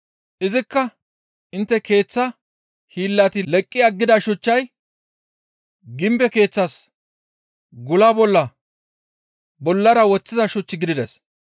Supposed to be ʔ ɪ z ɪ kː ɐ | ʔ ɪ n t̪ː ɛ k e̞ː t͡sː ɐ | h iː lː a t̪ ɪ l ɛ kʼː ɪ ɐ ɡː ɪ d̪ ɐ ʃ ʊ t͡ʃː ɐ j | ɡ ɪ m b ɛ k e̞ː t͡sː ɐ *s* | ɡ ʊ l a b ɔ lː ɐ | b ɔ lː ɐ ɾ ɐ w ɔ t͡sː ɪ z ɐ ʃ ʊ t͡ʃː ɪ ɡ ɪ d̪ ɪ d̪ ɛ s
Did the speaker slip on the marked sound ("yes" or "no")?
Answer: no